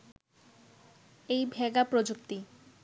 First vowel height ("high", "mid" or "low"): mid